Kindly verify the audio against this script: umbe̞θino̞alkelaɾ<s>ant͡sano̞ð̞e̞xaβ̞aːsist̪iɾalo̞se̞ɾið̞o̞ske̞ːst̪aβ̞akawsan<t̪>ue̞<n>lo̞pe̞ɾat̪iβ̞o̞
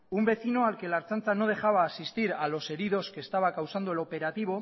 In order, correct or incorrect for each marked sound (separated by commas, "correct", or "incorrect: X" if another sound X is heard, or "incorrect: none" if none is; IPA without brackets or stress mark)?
incorrect: t͡s, incorrect: d̪, incorrect: none